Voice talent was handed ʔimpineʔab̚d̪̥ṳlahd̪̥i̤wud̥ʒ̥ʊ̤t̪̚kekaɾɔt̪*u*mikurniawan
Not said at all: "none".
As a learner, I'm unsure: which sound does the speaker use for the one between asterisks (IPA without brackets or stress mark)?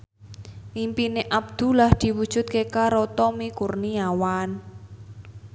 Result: ɔ